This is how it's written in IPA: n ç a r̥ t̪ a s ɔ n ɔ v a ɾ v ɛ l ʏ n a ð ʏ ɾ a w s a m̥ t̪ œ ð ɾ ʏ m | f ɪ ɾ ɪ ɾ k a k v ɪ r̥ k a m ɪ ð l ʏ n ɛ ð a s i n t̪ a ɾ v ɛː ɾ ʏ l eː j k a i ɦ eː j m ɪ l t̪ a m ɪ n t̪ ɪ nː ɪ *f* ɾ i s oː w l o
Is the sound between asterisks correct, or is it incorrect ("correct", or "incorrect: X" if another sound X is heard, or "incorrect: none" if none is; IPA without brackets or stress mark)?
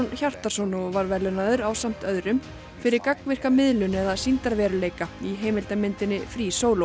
correct